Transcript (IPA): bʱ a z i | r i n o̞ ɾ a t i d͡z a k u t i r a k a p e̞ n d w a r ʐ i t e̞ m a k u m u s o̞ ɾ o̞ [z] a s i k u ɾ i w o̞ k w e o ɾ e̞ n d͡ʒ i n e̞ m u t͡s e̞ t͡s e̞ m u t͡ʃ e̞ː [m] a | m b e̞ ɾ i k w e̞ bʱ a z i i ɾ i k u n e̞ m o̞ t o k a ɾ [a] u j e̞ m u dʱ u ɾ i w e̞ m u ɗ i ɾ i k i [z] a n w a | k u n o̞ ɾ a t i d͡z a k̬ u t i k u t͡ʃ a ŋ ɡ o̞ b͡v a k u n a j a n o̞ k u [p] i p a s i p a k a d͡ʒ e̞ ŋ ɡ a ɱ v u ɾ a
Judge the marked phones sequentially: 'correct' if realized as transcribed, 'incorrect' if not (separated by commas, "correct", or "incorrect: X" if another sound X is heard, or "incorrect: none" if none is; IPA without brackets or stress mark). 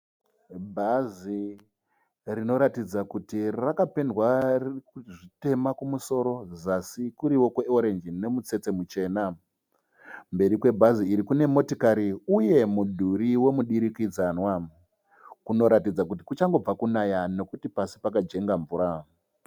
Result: correct, incorrect: n, incorrect: i, incorrect: d͡z, incorrect: t